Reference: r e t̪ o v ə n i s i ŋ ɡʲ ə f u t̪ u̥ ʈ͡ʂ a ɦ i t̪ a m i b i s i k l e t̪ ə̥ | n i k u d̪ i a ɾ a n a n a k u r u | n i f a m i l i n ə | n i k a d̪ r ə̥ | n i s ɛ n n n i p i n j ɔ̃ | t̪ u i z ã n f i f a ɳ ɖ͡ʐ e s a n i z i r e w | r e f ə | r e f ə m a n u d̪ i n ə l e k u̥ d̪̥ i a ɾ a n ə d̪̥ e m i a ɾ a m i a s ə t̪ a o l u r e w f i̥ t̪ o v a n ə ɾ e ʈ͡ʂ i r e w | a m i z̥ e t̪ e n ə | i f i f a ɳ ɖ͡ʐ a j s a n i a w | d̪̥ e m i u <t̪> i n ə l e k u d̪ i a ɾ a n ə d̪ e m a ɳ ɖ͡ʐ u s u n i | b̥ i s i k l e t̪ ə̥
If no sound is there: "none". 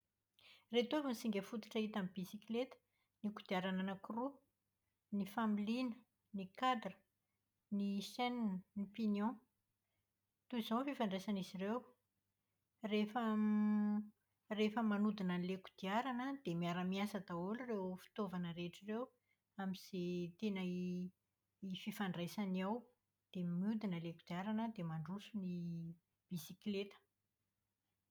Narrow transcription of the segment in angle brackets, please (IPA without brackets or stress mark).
d̪